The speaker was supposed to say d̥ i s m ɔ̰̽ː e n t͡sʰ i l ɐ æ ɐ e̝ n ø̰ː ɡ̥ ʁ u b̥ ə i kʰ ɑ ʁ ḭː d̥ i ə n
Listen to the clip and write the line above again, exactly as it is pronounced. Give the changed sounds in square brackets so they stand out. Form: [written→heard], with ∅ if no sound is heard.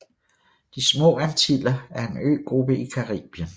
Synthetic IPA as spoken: d̥ i s m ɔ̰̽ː [e→æ] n t͡sʰ i l ɐ æ ɐ e̝ n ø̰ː ɡ̥ ʁ u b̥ ə i kʰ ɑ ʁ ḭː [d̥→b̥] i ə n

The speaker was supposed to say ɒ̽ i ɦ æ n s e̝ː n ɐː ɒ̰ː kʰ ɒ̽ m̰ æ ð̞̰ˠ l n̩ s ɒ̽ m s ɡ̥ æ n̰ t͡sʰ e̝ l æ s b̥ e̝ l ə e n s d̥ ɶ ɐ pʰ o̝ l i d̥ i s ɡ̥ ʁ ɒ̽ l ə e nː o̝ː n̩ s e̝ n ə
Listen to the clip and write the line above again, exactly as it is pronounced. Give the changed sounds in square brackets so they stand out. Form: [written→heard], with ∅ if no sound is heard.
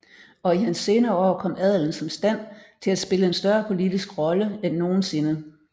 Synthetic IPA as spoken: ɒ̽ i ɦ æ n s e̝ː n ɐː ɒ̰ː kʰ ɒ̽ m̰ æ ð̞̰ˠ l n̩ s ɒ̽ m s [ɡ̥→d̥] æ n̰ t͡sʰ e̝ l æ s b̥ e̝ l ə e n s d̥ ɶ ɐ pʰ o̝ l i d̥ i s ɡ̥ ʁ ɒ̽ l ə e nː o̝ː n̩ s e̝ n ə

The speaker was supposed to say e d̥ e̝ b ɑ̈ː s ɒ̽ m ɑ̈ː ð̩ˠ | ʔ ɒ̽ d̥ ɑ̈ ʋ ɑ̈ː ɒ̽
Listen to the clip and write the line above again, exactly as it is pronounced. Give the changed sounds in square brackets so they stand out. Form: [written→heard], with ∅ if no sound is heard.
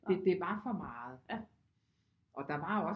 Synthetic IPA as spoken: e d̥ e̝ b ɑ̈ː [s→f] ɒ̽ m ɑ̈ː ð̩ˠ | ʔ ɒ̽ d̥ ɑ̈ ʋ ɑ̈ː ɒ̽

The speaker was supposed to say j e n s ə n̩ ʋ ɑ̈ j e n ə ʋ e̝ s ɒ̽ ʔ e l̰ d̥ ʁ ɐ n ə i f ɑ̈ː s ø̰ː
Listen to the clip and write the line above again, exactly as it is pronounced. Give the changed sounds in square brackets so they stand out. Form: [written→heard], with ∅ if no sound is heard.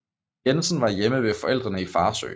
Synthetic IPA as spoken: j e n s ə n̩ ʋ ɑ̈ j e [n→m] ə ʋ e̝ [s→f] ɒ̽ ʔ e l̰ d̥ ʁ ɐ n ə i f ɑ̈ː s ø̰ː

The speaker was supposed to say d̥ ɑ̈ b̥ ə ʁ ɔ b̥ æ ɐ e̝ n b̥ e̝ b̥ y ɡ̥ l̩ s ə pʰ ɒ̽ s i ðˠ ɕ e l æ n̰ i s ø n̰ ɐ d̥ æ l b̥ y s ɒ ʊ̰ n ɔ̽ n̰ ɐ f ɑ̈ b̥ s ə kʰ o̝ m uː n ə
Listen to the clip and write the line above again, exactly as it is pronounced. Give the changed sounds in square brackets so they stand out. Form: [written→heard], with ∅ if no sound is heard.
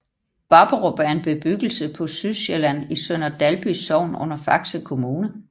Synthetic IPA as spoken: [d̥→b̥] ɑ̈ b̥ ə ʁ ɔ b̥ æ ɐ e̝ n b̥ e̝ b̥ y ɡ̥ l̩ s ə pʰ ɒ̽ s [i→y] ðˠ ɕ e l æ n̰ i s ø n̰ ɐ d̥ æ l b̥ y s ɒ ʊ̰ n ɔ̽ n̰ ɐ f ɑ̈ [b̥→ɡ̥] s ə kʰ o̝ m uː n ə

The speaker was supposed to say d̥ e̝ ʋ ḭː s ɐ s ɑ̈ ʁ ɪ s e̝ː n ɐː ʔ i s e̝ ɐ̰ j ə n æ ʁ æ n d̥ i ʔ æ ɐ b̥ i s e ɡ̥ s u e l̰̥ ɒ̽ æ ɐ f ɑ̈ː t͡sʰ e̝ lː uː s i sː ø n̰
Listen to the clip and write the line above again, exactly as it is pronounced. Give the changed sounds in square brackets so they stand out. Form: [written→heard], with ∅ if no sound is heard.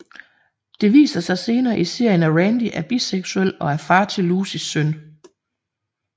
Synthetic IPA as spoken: d̥ e̝ ʋ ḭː s ɐ s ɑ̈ [ʁ→∅] ɪ s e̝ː n ɐː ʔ i s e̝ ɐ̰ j ə n æ ʁ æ n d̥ i ʔ æ ɐ b̥ i s e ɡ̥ s u e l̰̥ ɒ̽ æ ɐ f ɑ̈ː t͡sʰ e̝ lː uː s i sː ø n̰

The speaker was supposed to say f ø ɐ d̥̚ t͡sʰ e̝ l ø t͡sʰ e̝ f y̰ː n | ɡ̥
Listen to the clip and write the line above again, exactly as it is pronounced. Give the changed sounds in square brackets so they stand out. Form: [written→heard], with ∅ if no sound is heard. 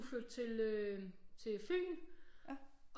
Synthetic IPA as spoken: f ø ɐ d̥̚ t͡sʰ e̝ l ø t͡sʰ e̝ f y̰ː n | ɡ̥

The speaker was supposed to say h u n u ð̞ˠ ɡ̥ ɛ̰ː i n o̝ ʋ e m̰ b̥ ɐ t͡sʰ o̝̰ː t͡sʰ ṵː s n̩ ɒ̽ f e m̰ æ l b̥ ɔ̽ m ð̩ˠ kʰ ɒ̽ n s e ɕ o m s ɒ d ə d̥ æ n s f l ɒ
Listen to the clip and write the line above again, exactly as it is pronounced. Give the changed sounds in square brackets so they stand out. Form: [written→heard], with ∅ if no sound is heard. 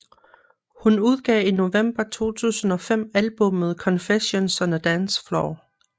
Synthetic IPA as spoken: h u n u ð̞ˠ ɡ̥ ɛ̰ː i n o̝ ʋ e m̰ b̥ ɐ t͡sʰ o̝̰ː t͡sʰ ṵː s n̩ ɒ̽ f e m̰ æ l b̥ ɔ̽ m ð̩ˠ kʰ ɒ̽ n [s→f] e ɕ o [m→n] s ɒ [d→n] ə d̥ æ n s f l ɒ

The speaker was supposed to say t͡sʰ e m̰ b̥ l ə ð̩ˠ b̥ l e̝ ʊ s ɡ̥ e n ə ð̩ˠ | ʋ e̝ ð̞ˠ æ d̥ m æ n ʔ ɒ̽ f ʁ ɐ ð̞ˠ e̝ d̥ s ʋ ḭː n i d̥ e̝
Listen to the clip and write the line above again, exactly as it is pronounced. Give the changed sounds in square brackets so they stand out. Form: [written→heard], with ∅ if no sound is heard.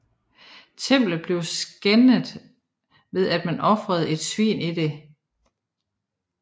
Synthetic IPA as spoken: t͡sʰ e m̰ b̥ l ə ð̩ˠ b̥ l e̝ ʊ s ɡ̥ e n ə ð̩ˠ | ʋ e̝ ð̞ˠ æ d̥ m æ n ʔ ɒ̽ f ʁ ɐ ð̞ˠ e̝ d̥ s ʋ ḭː n i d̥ e̝

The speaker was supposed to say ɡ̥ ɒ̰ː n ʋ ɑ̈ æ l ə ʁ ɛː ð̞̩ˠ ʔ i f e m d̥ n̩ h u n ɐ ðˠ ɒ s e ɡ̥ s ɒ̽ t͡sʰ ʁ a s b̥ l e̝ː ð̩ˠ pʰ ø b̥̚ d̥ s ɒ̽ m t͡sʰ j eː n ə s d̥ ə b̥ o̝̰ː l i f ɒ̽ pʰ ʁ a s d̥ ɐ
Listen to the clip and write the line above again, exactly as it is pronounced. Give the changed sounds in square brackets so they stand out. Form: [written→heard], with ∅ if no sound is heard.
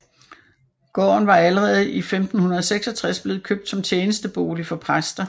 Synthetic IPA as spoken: ɡ̥ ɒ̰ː n ʋ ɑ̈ æ l ə ʁ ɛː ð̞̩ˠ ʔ i f e m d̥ n̩ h u n ɐ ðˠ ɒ s e ɡ̥ s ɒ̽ t͡sʰ ʁ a s b̥ l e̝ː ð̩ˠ [pʰ→kʰ] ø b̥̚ d̥ s ɒ̽ m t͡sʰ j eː n ə s d̥ ə b̥ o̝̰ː l i f ɒ̽ pʰ ʁ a s d̥ ɐ

